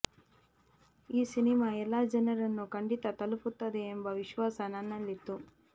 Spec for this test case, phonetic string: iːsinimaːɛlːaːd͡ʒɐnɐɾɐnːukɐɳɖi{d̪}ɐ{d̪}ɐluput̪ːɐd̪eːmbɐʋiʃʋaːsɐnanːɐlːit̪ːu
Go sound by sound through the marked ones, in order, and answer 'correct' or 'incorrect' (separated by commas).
incorrect, incorrect